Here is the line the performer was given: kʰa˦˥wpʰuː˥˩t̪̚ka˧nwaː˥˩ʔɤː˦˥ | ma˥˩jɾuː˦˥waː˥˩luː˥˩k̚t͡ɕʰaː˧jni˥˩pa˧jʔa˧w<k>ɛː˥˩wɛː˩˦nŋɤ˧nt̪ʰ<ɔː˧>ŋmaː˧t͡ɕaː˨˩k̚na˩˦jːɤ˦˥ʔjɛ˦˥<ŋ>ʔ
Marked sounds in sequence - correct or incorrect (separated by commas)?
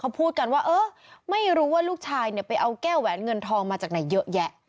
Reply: correct, correct, incorrect